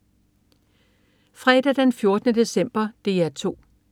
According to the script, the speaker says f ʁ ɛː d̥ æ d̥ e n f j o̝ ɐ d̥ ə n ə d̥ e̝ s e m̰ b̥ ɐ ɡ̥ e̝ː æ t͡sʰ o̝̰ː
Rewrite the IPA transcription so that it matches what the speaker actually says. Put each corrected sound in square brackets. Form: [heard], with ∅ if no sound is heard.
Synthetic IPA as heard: f ʁ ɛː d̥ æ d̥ e n f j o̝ ɐ d̥ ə n ə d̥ e̝ s e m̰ b̥ ɐ [d̥] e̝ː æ t͡sʰ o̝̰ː